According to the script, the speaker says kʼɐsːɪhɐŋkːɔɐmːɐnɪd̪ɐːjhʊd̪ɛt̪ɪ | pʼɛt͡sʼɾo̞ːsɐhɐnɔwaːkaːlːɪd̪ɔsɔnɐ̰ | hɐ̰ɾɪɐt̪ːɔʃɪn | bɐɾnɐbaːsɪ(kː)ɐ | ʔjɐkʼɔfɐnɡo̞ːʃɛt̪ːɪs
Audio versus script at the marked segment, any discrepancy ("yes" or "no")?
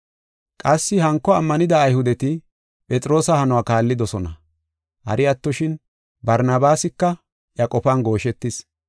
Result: no